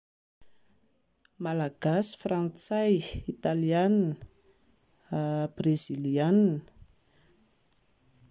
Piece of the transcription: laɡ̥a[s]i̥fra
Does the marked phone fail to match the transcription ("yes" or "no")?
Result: no